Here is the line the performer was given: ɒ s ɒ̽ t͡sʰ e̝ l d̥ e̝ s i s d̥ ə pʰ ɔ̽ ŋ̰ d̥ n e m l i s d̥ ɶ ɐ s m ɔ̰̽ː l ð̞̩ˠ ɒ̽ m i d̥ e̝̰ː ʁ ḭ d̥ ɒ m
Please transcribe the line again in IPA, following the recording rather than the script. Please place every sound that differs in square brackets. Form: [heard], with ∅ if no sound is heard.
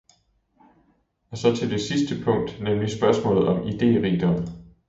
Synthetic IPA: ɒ s ɒ̽ t͡sʰ e̝ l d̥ e̝ s i s d̥ ə pʰ ɔ̽ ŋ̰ d̥ n e m l i s [b̥] ɶ ɐ s m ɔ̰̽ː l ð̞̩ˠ ɒ̽ m i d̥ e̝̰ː ʁ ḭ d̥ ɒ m